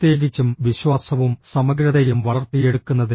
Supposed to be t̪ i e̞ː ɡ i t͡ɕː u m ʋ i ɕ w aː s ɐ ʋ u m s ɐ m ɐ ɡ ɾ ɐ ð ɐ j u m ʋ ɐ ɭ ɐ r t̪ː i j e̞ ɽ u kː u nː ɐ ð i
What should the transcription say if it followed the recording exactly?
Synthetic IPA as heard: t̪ j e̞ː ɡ i t͡ɕː u m ʋ i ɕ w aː s ɐ ʋ u m s ɐ m ɐ ɡ ɾ ɐ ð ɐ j u m ʋ ɐ ɭ ɐ r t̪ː i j e̞ ɽ u kː u nː ɐ ð i